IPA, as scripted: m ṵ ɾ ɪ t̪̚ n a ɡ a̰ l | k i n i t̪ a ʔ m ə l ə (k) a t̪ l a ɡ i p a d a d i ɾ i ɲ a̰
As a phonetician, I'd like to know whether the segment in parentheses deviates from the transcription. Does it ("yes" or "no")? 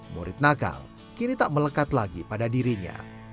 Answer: no